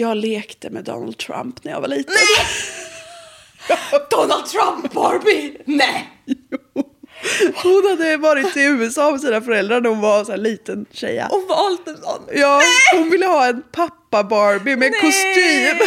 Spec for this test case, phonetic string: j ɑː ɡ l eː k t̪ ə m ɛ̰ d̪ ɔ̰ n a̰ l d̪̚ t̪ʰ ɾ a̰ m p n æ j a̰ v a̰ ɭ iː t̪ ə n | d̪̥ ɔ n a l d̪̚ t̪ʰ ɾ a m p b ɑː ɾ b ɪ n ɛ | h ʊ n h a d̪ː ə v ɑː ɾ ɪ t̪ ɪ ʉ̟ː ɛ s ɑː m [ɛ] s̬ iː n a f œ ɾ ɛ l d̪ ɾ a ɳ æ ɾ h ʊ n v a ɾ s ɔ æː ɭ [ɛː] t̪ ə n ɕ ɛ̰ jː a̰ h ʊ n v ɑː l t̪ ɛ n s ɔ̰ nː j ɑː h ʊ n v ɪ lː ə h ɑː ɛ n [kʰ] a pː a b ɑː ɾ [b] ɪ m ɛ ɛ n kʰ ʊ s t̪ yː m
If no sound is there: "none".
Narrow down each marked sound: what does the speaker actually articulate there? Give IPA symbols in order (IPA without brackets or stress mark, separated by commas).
ɛ, iː, pʰ, b